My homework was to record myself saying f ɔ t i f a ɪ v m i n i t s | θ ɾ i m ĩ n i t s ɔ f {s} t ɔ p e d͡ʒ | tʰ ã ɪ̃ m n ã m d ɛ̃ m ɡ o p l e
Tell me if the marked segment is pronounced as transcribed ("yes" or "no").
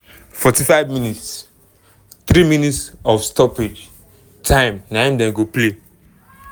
yes